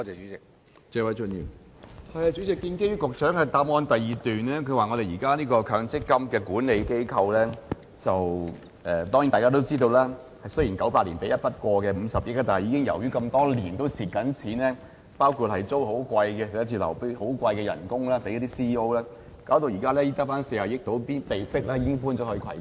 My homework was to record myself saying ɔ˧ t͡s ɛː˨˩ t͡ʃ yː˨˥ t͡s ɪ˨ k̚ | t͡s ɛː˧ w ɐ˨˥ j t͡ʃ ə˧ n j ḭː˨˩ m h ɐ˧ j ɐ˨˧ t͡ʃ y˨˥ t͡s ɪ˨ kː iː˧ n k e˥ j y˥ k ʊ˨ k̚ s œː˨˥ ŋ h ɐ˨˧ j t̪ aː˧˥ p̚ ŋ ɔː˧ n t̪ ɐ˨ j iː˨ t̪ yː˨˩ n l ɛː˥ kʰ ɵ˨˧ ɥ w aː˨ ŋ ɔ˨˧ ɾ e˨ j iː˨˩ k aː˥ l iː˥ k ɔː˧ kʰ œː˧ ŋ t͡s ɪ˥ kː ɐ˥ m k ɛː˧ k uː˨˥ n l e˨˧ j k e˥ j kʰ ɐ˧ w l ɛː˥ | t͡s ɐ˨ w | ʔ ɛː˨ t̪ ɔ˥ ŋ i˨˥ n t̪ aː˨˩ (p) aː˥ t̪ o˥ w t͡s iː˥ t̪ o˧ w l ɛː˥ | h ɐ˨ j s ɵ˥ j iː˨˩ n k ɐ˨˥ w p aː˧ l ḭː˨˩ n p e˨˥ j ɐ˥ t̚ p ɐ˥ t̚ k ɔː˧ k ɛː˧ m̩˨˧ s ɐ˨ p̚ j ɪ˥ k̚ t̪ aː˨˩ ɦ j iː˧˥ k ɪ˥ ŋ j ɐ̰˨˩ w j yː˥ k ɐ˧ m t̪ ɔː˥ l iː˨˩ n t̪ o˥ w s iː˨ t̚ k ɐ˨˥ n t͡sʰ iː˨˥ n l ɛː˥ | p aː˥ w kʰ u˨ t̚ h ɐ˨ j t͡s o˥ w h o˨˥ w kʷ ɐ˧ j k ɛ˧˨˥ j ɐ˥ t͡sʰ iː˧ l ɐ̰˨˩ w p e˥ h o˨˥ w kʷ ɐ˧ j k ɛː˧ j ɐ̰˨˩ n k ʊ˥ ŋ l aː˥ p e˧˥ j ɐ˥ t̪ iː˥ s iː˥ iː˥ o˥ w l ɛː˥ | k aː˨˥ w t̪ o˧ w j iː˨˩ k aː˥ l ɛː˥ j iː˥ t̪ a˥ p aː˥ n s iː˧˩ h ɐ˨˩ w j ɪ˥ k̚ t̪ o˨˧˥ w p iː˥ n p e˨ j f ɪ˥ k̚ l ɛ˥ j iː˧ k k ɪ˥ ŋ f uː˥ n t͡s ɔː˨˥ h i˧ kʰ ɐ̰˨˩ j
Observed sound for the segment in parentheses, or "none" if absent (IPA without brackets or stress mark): k